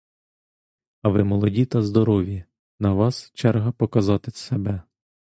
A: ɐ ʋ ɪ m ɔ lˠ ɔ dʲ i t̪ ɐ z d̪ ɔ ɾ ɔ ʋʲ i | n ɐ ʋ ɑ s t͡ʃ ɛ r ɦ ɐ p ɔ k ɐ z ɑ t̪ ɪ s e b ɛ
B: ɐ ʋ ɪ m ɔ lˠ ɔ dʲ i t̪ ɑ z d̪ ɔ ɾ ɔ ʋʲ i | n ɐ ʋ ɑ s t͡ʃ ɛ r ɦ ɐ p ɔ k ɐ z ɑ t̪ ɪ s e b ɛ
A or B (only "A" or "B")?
A